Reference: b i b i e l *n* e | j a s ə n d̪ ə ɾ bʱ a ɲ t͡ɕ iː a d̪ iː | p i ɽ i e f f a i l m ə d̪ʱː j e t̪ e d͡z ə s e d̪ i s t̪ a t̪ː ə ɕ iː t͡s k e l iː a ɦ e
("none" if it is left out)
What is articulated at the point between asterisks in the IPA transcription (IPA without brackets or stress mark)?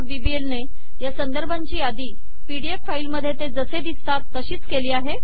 n